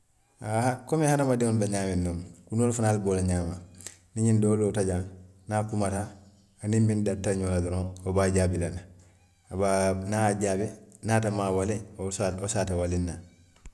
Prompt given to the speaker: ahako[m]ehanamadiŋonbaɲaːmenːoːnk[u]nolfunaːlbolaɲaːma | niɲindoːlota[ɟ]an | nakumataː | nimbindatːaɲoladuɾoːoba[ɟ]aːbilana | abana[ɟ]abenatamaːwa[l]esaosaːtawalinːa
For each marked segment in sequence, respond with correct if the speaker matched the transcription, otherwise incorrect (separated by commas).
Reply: correct, correct, correct, correct, correct, correct